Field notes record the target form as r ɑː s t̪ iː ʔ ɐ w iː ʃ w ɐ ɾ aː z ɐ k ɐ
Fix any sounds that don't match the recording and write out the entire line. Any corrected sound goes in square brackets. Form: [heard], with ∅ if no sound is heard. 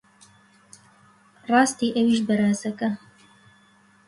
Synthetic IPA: r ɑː s t̪ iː ʔ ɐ w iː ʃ [b] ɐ ɾ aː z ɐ k ɐ